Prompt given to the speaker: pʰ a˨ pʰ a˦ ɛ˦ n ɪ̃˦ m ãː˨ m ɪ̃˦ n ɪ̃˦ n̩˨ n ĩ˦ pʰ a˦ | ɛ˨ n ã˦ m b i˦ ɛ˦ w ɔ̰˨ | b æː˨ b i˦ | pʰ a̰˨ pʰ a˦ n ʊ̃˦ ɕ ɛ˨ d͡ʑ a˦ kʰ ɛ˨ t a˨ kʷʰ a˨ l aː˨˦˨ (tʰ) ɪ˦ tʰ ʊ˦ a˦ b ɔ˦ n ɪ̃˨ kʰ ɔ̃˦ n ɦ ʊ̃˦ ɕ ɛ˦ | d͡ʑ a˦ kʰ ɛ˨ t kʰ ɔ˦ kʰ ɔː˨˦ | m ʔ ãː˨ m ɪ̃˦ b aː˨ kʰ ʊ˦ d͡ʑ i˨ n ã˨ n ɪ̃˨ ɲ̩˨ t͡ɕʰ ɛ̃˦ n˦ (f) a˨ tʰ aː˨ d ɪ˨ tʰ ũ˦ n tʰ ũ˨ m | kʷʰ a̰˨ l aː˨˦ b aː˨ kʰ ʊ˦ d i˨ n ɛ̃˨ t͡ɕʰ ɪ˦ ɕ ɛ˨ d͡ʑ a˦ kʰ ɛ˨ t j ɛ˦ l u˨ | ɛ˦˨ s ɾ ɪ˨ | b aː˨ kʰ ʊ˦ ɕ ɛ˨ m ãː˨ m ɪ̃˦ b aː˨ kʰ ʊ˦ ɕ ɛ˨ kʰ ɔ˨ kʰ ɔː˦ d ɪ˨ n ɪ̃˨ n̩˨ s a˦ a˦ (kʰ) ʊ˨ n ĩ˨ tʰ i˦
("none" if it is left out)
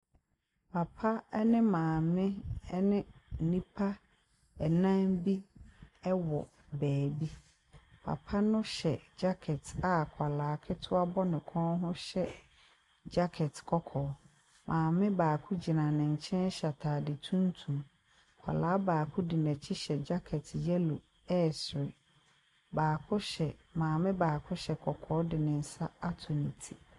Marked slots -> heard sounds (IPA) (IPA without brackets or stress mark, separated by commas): kʰ, ɕ, tʰ